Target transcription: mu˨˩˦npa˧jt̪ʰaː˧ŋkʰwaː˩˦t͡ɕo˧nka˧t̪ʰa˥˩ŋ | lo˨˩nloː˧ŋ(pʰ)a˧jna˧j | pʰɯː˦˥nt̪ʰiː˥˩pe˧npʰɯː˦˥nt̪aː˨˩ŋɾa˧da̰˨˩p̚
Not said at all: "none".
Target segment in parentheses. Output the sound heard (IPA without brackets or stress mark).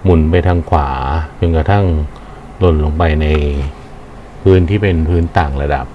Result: p